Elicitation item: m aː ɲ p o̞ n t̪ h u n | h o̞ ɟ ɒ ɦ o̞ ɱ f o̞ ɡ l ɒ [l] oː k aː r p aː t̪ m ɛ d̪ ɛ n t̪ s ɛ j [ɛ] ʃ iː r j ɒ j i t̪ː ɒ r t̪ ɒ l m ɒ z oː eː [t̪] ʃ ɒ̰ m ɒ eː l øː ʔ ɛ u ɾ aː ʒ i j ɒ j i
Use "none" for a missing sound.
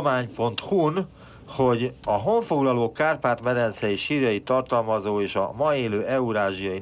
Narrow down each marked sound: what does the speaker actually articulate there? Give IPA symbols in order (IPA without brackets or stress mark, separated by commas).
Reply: l, i, none